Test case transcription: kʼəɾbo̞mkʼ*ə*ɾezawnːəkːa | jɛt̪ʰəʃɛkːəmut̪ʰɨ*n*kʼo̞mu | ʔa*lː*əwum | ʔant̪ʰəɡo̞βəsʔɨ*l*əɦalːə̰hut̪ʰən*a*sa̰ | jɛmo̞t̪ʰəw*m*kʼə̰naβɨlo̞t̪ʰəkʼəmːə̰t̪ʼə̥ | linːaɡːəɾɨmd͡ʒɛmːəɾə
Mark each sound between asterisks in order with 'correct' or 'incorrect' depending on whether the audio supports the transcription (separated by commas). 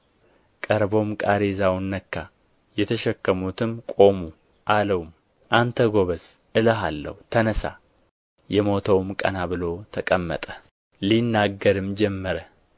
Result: incorrect, incorrect, incorrect, correct, incorrect, correct